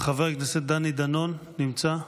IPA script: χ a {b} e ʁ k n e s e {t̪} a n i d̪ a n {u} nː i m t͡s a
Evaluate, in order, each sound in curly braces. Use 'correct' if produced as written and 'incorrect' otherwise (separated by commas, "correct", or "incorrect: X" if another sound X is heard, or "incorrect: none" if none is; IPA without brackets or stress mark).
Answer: incorrect: v, incorrect: d̪, incorrect: o